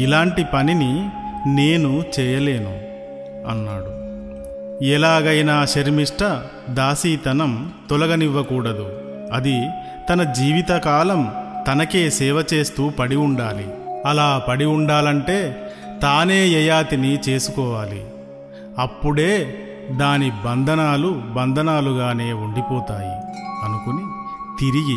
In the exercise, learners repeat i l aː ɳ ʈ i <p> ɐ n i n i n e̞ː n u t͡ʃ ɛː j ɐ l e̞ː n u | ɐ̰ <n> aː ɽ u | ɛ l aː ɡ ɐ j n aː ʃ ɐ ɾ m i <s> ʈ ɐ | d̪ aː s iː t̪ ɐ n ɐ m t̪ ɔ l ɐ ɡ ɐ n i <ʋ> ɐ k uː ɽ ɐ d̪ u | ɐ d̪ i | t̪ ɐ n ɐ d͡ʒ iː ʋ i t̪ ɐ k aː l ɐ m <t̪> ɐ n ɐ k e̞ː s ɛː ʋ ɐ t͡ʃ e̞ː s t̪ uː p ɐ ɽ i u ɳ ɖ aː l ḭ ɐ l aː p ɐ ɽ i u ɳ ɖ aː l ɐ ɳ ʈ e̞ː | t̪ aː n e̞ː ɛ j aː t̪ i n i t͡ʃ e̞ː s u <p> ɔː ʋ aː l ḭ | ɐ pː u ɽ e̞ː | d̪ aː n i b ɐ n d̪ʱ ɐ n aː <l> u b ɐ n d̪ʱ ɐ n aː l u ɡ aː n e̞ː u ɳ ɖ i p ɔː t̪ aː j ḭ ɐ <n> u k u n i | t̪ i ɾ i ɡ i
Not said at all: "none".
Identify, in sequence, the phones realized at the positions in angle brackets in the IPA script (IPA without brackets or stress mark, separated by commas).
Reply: p, nː, ʂ, ʋː, t̪, k, l, n